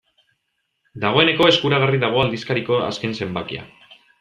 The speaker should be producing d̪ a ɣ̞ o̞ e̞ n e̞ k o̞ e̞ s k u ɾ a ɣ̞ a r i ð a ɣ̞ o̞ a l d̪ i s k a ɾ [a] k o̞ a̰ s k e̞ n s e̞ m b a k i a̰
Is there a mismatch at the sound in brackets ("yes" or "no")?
yes